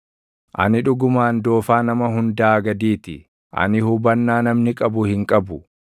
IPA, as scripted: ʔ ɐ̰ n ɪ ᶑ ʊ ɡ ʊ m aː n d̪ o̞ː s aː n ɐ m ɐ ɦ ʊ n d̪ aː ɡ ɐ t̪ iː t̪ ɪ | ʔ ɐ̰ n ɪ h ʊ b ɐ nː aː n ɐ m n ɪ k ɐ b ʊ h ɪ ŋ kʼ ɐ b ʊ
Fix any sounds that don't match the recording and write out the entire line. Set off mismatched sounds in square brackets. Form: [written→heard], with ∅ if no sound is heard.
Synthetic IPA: ʔ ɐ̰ n ɪ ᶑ ʊ ɡ ʊ m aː n d̪ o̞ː [s→f] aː n ɐ m ɐ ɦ ʊ n d̪ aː ɡ ɐ [t̪→d̪] iː t̪ ɪ | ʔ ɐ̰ n ɪ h ʊ b ɐ nː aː n ɐ m n ɪ [k→kʼ] ɐ b ʊ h ɪ ŋ kʼ ɐ b ʊ